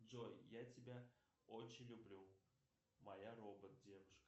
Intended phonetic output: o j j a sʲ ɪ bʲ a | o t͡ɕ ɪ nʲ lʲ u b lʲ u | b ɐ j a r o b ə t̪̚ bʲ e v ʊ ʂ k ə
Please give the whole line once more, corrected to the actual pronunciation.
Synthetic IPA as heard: o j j a tʲ ɪ bʲ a | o t͡ɕ ɪ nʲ lʲ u b lʲ u | m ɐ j a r o b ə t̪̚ dʲ e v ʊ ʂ k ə